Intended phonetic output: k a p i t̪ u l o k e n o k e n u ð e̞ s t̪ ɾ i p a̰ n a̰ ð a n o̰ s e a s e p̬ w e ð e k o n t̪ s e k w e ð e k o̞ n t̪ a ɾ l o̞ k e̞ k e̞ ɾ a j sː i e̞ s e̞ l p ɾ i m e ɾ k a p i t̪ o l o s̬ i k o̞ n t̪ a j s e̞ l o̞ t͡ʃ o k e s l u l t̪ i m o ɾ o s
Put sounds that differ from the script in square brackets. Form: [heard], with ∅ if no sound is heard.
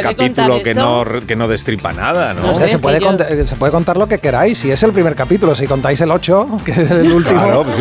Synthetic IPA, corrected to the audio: k a p i t̪ u l o k e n o k e n [o] ð e̞ s t̪ ɾ i p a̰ n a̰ ð a n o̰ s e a s e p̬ w e ð e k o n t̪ s e [p] w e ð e k o̞ n t̪ a ɾ l o̞ k e̞ k e̞ ɾ a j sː i e̞ s e̞ l p ɾ i m e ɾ k a p i t̪ [u] l o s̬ i k o̞ n t̪ a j s e̞ l o̞ t͡ʃ o k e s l u l t̪ i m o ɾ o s